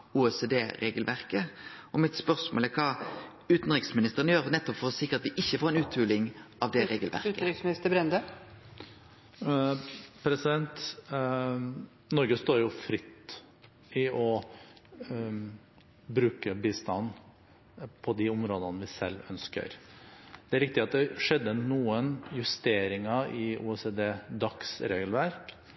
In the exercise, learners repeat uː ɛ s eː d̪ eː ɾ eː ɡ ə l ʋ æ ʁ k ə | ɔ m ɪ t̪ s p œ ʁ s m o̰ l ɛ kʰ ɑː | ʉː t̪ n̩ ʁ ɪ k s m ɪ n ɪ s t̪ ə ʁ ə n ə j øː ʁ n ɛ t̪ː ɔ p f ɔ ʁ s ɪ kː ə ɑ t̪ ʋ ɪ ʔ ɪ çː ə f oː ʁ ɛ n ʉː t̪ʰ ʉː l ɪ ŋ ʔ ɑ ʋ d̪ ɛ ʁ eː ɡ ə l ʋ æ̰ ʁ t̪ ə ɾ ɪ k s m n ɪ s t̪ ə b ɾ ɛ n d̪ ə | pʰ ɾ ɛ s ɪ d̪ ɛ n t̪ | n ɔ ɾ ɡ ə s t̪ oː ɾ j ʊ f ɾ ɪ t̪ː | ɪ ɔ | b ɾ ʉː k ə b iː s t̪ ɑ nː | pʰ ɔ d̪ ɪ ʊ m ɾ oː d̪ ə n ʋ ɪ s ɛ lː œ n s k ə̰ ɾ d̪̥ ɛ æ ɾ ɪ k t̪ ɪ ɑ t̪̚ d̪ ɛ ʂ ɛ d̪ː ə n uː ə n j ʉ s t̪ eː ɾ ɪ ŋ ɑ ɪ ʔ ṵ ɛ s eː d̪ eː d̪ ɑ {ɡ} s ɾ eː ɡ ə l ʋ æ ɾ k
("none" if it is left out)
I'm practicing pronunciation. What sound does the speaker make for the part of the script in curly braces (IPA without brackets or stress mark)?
k